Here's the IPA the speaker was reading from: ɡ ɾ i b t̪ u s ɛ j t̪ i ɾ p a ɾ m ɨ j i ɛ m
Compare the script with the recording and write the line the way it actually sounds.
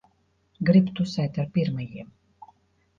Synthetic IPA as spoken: ɡ ɾ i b t̪ u s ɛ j t̪ a ɾ p i ɾ m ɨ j i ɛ m